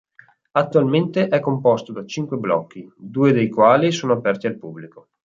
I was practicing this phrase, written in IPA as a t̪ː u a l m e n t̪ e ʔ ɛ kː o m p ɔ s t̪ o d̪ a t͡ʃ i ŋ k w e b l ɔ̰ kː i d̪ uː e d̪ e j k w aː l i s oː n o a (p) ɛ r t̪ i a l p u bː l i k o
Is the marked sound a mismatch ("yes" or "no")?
no